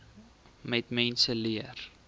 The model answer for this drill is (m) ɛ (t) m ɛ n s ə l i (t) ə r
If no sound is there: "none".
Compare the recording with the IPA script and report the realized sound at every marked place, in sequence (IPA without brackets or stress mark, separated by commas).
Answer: m, t, none